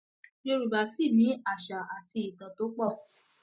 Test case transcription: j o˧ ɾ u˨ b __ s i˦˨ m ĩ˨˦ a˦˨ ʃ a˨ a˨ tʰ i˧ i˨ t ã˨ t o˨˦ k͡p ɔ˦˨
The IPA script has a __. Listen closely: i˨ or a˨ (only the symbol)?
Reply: a˨